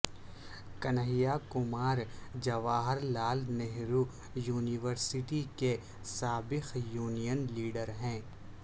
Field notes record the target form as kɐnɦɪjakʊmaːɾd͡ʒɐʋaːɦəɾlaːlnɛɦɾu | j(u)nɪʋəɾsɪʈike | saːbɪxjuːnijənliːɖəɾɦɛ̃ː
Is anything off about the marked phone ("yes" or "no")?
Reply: yes